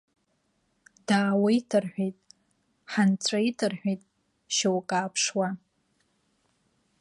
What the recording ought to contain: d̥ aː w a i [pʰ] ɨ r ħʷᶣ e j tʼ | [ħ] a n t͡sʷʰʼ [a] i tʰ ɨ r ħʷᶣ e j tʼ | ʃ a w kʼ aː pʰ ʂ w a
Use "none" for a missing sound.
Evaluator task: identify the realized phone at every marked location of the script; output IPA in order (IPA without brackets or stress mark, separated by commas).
tʰ, ħ, a